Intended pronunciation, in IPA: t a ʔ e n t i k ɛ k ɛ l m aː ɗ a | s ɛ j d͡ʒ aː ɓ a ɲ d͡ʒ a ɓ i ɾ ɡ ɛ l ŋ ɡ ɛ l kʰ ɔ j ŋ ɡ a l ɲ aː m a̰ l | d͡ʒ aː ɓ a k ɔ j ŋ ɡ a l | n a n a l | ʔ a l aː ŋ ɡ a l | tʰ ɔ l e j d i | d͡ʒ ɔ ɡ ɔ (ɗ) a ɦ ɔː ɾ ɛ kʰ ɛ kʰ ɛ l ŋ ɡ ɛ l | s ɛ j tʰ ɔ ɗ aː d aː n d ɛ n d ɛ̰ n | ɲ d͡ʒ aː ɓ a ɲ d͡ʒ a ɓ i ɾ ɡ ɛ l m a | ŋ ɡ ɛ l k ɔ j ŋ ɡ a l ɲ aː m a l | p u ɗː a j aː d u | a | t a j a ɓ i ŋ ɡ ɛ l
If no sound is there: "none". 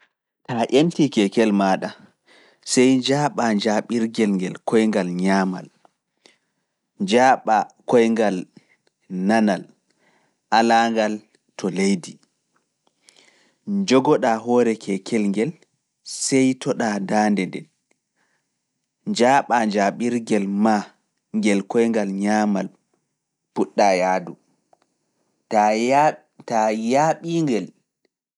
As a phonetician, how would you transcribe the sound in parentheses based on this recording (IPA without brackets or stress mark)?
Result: ɗ